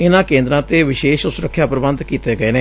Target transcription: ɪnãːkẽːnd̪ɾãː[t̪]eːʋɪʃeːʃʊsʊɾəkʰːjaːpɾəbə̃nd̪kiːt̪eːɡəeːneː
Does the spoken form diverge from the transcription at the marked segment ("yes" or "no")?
no